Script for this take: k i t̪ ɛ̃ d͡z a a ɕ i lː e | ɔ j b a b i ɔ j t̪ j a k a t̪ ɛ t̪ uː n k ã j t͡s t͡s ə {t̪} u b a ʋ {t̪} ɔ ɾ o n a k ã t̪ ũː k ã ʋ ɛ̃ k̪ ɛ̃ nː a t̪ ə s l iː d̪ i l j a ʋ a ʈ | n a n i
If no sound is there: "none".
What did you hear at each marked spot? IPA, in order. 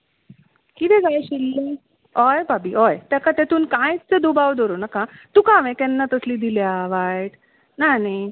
d̪, d̪

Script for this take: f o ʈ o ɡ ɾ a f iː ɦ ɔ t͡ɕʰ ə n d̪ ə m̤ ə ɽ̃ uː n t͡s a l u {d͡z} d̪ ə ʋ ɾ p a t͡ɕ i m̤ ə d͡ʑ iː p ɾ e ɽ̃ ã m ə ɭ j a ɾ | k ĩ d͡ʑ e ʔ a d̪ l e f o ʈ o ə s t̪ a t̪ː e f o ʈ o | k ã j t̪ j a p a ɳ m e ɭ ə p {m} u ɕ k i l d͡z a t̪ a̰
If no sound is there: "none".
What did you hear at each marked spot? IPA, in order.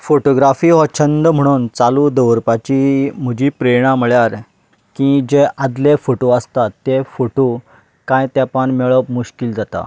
none, m

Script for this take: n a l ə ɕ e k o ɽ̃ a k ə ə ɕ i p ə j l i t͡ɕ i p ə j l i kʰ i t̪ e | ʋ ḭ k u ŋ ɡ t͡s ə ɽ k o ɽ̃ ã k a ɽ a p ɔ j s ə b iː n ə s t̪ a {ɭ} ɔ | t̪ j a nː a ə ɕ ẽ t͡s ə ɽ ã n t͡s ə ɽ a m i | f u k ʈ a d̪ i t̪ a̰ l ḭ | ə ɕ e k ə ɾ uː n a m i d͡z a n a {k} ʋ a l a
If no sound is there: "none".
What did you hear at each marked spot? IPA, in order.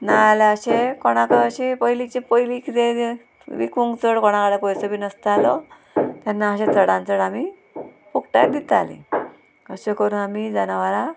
l, none

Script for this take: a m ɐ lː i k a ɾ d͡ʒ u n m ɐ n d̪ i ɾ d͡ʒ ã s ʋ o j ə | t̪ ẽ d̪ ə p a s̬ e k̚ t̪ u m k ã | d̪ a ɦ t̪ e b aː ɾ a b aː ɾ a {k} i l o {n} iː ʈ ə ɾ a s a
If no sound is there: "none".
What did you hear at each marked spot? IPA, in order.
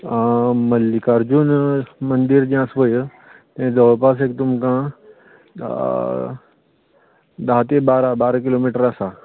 k, m

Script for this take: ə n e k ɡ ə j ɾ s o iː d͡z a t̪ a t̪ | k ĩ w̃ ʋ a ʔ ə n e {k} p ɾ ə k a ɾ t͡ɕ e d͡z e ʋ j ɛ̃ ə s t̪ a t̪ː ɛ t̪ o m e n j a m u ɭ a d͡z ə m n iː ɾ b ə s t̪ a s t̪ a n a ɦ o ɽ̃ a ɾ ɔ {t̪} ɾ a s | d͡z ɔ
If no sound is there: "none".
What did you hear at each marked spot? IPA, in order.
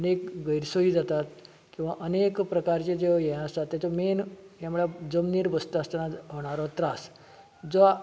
k, t̪

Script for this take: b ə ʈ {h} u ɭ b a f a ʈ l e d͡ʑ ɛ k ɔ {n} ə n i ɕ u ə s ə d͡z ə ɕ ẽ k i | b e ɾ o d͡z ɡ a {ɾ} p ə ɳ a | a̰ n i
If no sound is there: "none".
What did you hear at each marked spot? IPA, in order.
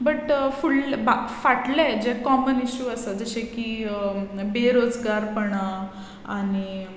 f, m, ɾ

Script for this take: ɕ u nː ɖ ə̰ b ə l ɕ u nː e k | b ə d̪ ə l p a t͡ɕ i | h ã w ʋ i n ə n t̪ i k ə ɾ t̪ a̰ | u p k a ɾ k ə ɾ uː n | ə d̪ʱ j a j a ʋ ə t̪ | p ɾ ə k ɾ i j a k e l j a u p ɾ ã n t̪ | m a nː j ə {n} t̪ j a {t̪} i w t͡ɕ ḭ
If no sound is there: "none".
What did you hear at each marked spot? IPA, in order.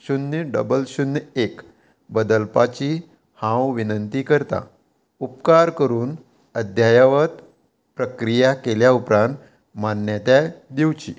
none, d̪

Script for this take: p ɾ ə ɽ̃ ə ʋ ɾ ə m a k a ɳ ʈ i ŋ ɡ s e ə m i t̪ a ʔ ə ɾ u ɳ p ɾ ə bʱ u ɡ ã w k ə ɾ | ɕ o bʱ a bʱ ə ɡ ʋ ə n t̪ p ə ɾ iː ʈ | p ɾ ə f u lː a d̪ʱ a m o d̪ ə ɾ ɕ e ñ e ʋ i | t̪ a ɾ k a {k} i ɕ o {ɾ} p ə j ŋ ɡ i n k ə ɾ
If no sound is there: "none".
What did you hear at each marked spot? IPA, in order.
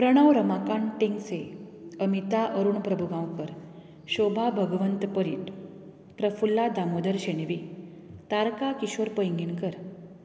k, ɾ

